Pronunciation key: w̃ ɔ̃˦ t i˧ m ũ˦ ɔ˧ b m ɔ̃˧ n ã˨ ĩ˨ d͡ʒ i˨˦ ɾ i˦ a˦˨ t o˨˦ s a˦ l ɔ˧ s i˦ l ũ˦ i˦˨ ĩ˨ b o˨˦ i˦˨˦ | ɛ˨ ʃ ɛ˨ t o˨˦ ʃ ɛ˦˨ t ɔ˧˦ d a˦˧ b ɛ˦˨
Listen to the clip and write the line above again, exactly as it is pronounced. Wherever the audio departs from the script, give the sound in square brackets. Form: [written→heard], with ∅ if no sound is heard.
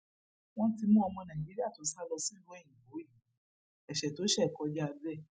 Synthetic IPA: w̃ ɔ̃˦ t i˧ m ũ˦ ɔ˧ [b→∅] m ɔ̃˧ n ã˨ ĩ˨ d͡ʒ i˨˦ ɾ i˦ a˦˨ t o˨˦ s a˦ l ɔ˧ s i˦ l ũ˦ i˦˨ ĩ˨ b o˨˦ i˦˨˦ | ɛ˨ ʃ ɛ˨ t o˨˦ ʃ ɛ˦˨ [t→k] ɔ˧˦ [d→d͡ʒ] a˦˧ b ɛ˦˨

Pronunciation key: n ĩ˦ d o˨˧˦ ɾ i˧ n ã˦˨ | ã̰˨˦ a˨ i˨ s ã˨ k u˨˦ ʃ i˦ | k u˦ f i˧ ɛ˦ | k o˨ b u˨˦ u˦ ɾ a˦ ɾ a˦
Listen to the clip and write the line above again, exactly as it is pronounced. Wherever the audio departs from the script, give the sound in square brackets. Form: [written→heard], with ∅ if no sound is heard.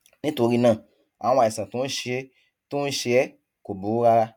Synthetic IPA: n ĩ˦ [d→t] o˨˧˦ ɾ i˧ n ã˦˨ | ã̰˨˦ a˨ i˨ s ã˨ [k→t] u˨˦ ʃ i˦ | [k→t] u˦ [f→ʃ] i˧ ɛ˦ | k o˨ b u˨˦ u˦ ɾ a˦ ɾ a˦

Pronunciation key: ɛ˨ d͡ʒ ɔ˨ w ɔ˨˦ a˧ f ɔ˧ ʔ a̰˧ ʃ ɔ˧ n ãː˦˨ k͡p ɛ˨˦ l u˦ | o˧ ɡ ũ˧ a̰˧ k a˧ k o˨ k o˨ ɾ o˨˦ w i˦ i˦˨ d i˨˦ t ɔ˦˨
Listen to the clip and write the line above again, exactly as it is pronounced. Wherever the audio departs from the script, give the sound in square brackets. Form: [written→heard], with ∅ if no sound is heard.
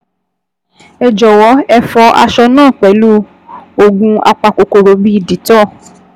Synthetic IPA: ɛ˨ d͡ʒ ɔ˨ w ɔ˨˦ [a˧→ɛ˧] f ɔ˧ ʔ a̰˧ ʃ ɔ˧ n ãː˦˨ k͡p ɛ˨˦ l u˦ | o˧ ɡ ũ˧ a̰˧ [k→k͡p] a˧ k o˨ k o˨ ɾ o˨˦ [w→b] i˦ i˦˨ d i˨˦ t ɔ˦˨

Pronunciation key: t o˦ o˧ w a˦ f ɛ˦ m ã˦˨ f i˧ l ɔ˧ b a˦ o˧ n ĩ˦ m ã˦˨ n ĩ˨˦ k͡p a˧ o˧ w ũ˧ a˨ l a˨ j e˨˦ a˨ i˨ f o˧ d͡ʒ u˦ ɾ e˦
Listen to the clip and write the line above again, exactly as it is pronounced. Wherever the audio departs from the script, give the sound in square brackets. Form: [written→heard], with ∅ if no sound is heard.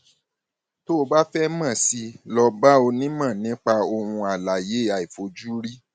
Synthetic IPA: t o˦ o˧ [w→b] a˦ f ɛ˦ m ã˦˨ [f→s] i˧ l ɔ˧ b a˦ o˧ n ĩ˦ m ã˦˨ n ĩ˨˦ k͡p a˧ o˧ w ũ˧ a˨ l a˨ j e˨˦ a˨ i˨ f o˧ d͡ʒ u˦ ɾ [e˦→i˦]

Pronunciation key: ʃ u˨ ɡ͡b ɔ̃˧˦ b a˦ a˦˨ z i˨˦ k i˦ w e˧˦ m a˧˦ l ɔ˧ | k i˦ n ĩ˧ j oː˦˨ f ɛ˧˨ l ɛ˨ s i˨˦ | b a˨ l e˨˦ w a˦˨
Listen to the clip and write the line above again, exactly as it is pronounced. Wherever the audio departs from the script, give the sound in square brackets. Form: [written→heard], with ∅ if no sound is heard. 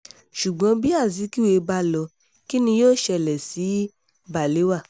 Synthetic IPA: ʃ u˨ ɡ͡b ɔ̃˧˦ b [a˦→i˦] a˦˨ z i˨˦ k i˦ w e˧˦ [m→b] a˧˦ l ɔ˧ | k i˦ n ĩ˧ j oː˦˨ [f→ʃ] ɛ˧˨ l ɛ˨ s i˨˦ | b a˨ l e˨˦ w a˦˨

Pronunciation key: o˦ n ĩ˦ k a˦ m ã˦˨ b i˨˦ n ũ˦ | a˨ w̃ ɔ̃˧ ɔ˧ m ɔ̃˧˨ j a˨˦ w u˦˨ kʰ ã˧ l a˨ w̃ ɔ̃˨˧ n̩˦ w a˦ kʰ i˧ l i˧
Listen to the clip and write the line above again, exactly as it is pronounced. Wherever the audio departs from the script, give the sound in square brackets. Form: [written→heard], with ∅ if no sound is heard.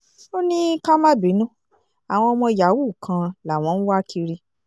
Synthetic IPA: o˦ n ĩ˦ k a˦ m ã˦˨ b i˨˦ n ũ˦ | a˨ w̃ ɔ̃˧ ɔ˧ m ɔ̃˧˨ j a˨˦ w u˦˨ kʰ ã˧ l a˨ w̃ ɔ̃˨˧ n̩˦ w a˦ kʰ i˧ [l→ɾ] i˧

